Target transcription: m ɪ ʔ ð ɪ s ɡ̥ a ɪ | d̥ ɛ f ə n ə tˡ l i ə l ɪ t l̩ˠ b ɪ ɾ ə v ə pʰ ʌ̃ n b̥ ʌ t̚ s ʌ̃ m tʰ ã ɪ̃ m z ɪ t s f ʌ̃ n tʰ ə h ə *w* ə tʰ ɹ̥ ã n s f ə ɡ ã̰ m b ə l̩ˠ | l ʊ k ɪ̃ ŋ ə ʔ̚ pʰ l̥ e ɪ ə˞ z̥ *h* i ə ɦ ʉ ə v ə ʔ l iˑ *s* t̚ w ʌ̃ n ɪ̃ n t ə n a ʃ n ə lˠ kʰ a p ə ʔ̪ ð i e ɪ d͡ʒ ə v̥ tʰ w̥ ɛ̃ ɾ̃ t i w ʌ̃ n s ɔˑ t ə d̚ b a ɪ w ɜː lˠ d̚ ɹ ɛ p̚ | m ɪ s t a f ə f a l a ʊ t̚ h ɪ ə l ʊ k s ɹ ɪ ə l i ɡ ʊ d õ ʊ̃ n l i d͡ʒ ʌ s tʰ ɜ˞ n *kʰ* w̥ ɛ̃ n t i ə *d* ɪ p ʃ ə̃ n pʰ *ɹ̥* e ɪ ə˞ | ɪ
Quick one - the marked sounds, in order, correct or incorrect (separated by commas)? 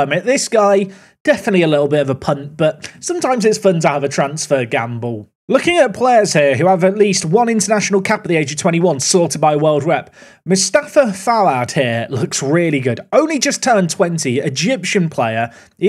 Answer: incorrect, correct, correct, incorrect, incorrect, incorrect